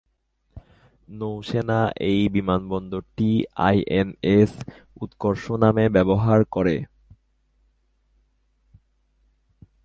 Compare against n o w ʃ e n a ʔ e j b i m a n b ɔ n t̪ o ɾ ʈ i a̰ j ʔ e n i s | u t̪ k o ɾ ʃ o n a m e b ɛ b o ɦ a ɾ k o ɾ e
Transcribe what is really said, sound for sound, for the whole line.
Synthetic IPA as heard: n o w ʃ e n a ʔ e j b i m a n b ɔ n d̪ o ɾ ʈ i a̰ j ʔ e n e s | u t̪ k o ɾ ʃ o n a m e b ɛ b o ɦ a ɾ k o ɾ e

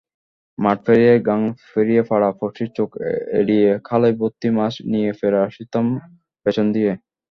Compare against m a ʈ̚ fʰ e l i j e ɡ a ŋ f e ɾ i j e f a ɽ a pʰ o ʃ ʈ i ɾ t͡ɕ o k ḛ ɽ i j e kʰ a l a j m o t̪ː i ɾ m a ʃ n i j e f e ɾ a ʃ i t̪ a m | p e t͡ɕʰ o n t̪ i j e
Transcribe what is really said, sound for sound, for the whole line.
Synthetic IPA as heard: m a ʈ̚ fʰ e ɾ i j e ɡ a ŋ f e ɾ i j e f a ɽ a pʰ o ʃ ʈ i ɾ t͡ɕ o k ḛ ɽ i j e kʰ a l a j b o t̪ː i m a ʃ n i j e f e ɾ a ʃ i t̪ a m | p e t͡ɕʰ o n d̪ i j e

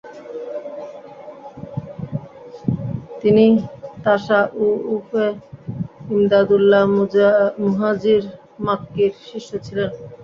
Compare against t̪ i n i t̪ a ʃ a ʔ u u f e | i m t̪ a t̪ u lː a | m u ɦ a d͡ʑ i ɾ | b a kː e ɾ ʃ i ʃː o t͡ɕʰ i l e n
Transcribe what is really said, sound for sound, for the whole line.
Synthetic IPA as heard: t̪ i n i t̪ a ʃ a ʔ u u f e | i m d̪ a d̪ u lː a | m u ɦ a d͡ʑ i ɾ | m a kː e ɾ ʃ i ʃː o t͡ɕʰ i l e n

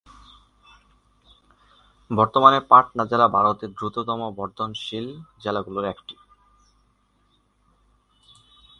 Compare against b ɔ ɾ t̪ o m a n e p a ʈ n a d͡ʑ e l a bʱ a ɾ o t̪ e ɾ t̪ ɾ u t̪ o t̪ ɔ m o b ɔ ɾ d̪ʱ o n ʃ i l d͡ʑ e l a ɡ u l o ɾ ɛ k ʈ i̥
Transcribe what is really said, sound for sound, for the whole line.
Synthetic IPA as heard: b ɔ ɾ t̪ o m a n e p a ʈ n a d͡ʑ e l a bʱ a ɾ o t̪ e ɾ d̪ ɾ u t̪ o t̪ ɔ m o b ɔ ɾ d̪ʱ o n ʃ i l d͡ʑ e l a ɡ u l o ɾ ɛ k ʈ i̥

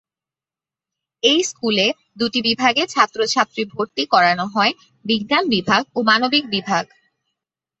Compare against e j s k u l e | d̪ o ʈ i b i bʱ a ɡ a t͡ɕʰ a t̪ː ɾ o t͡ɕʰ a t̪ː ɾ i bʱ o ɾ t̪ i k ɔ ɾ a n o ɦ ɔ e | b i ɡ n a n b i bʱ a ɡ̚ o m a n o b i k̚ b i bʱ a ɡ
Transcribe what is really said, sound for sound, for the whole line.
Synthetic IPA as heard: e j s k u l e | d̪ u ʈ i b i bʱ a ɡ e t͡ɕʰ a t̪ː ɾ o t͡ɕʰ a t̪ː ɾ i bʱ o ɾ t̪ i k ɔ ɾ a n o ɦ ɔ e | b i ɡ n a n b i bʱ a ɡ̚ o m a n o b i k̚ b i bʱ a ɡ

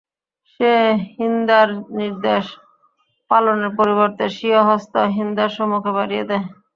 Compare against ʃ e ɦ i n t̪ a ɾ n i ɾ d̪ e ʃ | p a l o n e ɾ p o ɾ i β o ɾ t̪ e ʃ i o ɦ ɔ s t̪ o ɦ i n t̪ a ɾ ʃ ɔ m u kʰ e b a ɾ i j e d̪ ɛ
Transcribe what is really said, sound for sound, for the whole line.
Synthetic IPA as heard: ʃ e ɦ i n d̪ a ɾ n i ɾ d̪ e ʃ | p a l o n e ɾ p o ɾ i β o ɾ t̪ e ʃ i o ɦ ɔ s t̪ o ɦ i n d̪ a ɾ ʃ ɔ m u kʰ e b a ɾ i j e d̪ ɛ

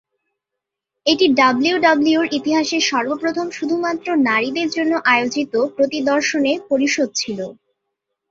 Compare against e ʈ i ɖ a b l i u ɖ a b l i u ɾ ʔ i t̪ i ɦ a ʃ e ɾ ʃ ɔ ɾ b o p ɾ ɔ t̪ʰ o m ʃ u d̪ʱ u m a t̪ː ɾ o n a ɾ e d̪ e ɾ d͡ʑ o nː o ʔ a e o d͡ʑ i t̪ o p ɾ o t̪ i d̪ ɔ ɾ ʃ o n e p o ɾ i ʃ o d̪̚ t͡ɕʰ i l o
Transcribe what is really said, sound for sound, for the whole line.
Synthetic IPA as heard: e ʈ i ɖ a b l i u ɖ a b l i u ɾ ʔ i t̪ i ɦ a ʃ e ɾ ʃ ɔ ɾ b o p ɾ o t̪ʰ o m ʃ u d̪ʱ u m a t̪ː ɾ o n a ɾ i d̪ e ɾ d͡ʑ o nː o ʔ a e o d͡ʑ i t̪ o p ɾ o t̪ i d̪ ɔ ɾ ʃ o n e p o ɾ i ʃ o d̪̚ t͡ɕʰ i l o

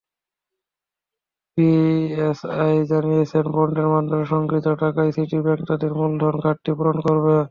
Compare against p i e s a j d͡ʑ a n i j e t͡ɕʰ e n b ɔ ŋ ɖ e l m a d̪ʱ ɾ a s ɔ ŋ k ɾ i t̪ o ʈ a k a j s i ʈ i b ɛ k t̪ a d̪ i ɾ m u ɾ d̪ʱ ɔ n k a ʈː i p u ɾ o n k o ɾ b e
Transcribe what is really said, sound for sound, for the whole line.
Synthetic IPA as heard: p i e s a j d͡ʑ a n i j e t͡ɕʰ e n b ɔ ɳ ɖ e ɾ m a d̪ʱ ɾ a ʃ ɔ ŋ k ɾ i t̪ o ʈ a k a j s i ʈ i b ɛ k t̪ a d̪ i ɾ m u l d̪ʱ ɔ n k a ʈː i p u ɾ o n k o ɾ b e

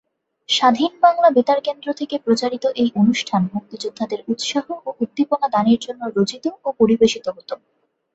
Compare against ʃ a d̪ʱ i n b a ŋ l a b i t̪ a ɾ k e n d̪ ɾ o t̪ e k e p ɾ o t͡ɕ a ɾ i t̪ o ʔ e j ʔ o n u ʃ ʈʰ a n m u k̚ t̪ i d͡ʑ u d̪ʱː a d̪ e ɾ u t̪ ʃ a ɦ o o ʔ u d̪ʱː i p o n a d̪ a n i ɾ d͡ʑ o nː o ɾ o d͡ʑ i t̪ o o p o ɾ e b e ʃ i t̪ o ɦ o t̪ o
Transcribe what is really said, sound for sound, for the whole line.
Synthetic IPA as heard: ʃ a d̪ʱ i n b a ŋ l a b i t̪ a ɾ k e n d̪ ɾ o t̪ʰ e k e p ɾ o t͡ɕ a ɾ i t̪ o ʔ e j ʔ o n u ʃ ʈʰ a n m u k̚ t̪ i d͡ʑ u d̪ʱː a d̪ e ɾ u t̪ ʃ a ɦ o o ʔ u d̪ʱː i p o n a d̪ a n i ɾ d͡ʑ o nː o ɾ o d͡ʑ i t̪ o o p o ɾ i b e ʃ i t̪ o ɦ o t̪ o

